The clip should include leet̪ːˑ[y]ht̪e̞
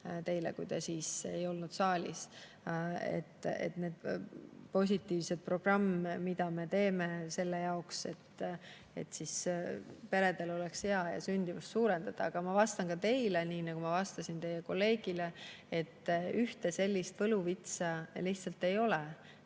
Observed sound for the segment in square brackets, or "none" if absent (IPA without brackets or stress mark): y